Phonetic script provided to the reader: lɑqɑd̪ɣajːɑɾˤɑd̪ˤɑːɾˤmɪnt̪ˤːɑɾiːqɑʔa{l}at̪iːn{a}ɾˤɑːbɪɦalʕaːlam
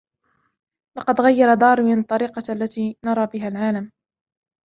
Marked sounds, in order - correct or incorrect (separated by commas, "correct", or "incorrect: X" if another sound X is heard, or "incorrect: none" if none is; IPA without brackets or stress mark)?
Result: incorrect: lː, incorrect: ɑ